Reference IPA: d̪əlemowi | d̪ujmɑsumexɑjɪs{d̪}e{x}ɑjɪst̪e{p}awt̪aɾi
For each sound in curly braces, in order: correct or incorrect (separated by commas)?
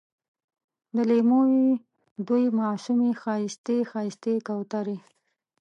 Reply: incorrect, correct, incorrect